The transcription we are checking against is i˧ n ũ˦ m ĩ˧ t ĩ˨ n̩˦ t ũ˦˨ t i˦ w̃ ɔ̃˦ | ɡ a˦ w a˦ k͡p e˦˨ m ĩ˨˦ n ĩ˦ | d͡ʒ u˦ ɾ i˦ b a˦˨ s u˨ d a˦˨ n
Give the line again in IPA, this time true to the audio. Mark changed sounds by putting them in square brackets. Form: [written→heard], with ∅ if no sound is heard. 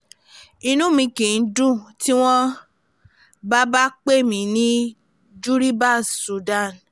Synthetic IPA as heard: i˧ n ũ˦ m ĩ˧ [t→k] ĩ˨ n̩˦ [t→d] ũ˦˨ t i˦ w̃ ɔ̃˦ | [ɡ→b] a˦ [w→b] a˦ k͡p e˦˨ m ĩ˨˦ n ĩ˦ | d͡ʒ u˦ ɾ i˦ b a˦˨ s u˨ d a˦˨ n